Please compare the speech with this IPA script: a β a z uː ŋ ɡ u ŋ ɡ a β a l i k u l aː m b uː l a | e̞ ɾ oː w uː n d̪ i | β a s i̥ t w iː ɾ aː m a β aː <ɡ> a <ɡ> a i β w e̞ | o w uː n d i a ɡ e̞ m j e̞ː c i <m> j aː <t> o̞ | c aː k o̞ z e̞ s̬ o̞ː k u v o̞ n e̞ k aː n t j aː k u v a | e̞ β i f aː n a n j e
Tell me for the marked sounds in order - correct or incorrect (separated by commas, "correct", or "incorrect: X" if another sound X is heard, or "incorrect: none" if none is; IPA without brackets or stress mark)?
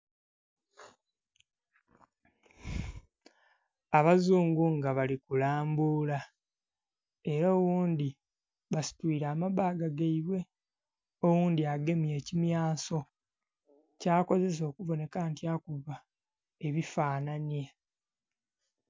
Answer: correct, correct, correct, incorrect: s